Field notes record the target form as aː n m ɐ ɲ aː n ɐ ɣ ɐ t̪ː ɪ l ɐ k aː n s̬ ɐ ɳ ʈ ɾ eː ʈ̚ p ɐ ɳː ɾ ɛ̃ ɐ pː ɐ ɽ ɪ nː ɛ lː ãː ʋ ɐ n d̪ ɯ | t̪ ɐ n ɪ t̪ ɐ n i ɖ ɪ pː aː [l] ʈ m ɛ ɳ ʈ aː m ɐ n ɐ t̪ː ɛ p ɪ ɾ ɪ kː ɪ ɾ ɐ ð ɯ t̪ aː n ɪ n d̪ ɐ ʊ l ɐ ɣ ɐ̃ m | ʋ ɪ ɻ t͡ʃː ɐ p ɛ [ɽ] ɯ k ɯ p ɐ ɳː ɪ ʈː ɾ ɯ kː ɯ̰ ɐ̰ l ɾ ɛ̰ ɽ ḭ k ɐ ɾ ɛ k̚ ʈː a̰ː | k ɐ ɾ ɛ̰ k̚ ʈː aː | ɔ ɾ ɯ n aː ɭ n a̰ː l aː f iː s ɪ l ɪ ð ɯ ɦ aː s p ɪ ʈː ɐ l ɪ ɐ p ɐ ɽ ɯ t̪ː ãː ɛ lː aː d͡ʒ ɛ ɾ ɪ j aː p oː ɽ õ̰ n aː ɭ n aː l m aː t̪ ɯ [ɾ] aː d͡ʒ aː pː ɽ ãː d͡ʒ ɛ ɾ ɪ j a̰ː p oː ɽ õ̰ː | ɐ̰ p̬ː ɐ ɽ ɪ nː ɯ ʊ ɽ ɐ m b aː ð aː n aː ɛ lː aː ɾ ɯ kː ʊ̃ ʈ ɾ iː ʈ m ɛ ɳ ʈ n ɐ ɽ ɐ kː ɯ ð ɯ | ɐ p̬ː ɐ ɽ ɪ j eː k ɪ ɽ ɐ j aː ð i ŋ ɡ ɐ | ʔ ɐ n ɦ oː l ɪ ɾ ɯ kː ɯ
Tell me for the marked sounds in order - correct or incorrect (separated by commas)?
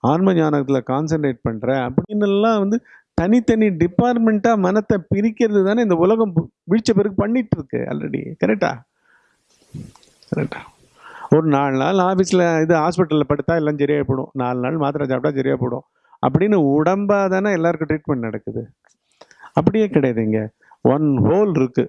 incorrect, incorrect, correct